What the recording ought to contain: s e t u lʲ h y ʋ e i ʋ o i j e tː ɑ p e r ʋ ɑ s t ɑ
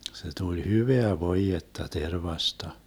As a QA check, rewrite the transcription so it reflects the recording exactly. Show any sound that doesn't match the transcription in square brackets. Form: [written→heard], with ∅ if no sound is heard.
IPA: s e t u lʲ h y ʋ e [i→æ] ʋ o i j e tː ɑ [p→t] e r ʋ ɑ s t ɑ